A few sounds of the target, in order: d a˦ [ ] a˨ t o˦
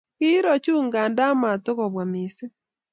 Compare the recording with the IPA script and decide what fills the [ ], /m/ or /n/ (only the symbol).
m